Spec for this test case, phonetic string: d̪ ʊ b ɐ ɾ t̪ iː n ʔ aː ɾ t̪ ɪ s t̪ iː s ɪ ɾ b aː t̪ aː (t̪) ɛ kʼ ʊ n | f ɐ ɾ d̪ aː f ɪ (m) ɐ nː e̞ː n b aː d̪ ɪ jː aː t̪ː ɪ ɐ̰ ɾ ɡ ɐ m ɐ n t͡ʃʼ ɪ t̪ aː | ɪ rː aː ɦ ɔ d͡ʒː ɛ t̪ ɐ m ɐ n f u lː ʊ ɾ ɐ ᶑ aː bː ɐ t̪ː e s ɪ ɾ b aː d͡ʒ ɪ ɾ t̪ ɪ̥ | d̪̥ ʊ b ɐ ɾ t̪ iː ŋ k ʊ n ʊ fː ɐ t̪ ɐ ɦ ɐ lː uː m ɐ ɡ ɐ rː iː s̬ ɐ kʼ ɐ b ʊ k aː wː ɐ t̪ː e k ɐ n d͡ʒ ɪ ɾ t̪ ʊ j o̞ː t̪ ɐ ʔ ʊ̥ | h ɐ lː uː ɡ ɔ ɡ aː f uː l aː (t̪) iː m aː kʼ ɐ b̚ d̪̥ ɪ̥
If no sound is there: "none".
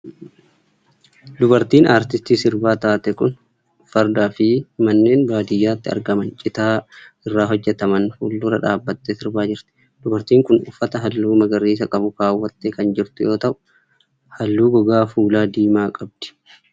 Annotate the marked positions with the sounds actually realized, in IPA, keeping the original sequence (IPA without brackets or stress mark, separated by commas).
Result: t̪, m, d̪